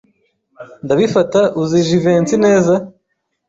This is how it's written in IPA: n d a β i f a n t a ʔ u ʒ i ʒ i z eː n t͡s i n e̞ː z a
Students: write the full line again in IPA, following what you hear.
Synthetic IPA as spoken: n d a β i f a t a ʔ u z i ʒ i v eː n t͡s i n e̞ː z a